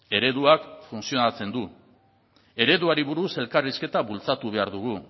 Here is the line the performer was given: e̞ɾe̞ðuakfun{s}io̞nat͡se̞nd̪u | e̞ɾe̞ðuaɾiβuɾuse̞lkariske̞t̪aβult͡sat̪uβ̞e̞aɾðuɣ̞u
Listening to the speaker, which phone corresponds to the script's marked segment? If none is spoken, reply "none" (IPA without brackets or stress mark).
s